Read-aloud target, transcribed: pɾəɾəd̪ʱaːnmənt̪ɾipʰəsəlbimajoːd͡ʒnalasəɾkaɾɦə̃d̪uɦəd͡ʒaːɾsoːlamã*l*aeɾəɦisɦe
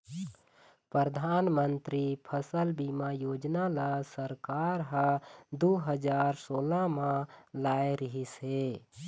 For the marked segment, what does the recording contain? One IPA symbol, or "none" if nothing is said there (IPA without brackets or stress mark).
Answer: l